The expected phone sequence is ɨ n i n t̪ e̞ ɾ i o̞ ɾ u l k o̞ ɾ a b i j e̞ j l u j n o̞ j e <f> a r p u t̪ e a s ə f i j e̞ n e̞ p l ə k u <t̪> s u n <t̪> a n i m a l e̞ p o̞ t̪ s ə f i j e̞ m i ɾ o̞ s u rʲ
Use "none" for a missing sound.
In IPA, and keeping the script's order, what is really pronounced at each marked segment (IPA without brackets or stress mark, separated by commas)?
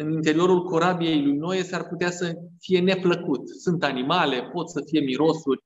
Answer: s, t̪, t̪